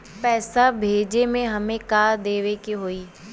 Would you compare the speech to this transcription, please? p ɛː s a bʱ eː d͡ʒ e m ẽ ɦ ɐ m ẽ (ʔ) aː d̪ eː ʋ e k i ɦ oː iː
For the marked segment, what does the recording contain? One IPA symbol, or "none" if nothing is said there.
k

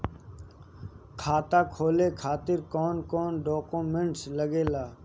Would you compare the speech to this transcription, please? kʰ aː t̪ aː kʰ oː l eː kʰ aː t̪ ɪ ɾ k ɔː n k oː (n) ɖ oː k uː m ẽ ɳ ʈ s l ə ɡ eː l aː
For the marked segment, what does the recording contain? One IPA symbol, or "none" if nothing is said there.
n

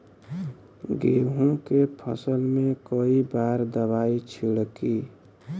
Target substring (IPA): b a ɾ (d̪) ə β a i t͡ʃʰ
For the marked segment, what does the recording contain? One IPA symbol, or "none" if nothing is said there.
d̪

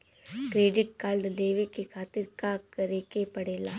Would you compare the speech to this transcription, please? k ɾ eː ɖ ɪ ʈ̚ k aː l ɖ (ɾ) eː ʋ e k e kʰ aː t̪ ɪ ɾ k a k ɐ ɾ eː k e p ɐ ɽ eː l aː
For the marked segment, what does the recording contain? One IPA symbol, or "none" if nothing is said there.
l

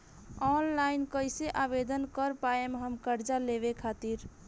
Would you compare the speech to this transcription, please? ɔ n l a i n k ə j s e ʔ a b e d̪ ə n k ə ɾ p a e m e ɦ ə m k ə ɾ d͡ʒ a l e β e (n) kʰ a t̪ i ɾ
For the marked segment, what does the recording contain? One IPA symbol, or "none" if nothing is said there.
none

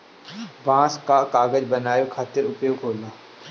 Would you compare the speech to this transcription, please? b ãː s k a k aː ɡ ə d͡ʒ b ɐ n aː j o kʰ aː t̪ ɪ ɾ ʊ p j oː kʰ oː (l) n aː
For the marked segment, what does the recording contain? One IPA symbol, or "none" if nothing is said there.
l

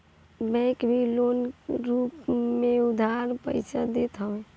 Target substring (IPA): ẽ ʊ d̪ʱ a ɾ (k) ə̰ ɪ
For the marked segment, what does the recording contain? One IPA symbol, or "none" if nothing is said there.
p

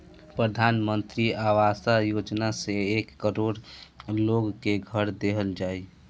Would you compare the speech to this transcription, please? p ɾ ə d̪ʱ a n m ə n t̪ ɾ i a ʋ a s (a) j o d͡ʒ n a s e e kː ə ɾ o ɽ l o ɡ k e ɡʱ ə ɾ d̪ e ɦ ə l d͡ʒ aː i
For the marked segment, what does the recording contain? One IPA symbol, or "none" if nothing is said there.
a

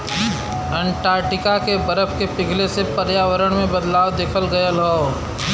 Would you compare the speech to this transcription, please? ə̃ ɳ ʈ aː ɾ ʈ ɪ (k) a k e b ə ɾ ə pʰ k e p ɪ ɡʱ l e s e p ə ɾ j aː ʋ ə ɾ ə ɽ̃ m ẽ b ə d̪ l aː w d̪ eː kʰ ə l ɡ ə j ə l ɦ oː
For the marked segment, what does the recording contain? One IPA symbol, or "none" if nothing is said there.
k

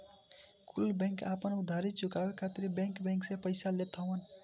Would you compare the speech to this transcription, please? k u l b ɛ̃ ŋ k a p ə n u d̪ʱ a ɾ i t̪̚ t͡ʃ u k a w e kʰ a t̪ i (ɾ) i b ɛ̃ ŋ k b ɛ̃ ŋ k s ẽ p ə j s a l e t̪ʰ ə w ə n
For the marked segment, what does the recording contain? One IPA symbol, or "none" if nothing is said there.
ɾ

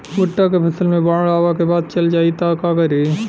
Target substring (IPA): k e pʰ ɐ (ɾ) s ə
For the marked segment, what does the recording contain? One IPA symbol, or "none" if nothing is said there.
none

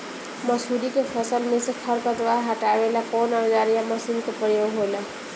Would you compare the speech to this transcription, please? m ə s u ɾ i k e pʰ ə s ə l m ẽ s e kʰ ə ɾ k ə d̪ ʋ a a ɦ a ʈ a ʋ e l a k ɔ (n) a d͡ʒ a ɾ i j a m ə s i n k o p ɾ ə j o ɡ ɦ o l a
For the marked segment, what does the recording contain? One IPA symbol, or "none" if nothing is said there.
n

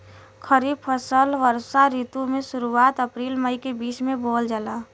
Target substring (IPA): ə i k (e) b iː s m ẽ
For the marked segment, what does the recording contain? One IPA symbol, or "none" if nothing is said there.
e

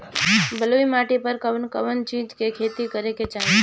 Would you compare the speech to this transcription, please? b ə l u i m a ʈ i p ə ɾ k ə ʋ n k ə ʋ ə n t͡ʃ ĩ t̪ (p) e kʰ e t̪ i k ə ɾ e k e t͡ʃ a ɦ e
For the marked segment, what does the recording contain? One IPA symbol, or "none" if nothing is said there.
k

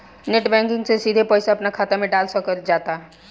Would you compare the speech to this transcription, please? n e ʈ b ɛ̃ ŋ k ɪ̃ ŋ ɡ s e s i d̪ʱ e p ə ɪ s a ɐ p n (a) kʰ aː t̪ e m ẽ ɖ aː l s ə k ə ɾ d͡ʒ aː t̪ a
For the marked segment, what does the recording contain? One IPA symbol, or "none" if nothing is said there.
a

